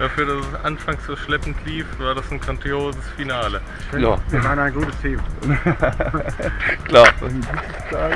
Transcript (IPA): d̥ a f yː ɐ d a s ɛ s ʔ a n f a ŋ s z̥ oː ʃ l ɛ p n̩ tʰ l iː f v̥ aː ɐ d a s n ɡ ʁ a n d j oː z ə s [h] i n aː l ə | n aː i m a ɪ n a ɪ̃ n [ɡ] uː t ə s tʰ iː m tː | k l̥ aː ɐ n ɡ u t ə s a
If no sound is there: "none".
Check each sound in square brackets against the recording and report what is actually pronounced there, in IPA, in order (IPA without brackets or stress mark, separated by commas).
f, ɡ